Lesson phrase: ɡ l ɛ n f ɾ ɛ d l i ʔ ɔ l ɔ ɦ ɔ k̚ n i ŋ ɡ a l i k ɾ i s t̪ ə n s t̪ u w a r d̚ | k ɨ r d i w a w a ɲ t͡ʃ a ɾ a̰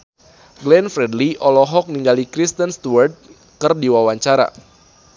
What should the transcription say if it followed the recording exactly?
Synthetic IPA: ɡ l ɛ n f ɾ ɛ d l i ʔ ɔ l ɔ ɦ ɔ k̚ n i ŋ ɡ a l i k ɾ i s t̪ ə n s t̪ u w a r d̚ | k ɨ r d i w a w a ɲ t͡ʃ a ɾ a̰